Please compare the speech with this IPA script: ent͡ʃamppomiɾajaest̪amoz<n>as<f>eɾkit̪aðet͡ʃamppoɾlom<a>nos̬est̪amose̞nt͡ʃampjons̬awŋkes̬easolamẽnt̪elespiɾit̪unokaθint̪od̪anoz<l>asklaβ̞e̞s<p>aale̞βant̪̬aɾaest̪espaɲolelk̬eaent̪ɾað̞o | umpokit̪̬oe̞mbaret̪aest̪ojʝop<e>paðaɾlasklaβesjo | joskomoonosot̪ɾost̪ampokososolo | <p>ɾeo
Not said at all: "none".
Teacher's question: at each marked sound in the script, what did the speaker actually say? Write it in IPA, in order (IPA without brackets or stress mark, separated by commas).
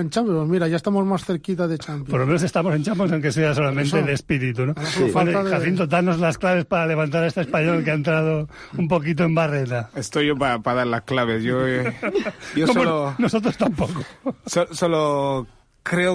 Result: m, θ, e, l, p, a, k